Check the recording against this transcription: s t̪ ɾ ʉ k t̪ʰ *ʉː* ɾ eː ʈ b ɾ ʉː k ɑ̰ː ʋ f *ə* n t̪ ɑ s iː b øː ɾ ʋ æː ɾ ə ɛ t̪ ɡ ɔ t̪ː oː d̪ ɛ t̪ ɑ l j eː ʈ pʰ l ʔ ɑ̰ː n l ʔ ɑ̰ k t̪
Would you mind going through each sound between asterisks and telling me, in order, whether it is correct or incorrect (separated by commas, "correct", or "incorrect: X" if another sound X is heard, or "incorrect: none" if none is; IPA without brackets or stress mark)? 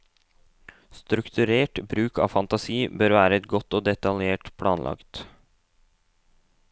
incorrect: ʉ, incorrect: ɑ